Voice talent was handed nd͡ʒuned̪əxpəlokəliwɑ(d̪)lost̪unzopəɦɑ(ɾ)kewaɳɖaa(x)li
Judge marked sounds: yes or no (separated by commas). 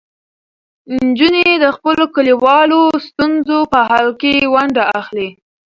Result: no, no, yes